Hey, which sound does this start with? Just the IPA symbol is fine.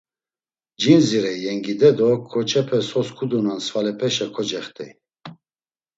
d͡ʒ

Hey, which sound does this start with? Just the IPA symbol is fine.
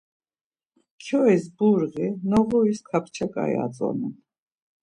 kʰ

